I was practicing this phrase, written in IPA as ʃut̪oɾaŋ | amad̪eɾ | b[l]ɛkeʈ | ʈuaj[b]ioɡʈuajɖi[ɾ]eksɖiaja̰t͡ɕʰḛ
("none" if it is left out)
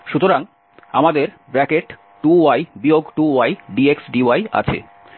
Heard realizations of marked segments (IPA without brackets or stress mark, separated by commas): ɾ, b, none